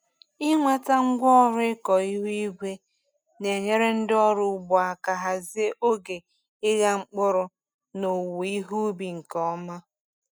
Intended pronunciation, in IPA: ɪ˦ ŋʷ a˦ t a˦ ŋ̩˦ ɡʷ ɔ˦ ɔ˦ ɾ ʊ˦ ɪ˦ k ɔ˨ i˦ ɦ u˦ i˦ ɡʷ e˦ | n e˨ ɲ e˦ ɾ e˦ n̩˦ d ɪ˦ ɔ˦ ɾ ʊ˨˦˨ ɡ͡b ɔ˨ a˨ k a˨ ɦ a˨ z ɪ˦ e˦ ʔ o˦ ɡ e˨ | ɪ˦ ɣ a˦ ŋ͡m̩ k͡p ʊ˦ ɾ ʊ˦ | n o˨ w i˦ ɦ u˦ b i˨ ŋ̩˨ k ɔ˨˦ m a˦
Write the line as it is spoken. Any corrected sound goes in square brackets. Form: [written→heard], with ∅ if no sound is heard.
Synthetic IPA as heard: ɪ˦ ŋʷ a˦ t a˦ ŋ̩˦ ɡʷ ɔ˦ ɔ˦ ɾ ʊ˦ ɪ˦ k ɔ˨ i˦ ɦ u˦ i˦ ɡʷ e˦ | n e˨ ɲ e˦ ɾ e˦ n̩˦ d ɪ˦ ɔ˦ ɾ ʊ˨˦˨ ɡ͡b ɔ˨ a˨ k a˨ ɦ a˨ z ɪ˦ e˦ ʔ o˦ ɡ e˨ | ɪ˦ ɣ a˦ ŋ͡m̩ k͡p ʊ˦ ɾ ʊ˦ | n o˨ w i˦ ɦ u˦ b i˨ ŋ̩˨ k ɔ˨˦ m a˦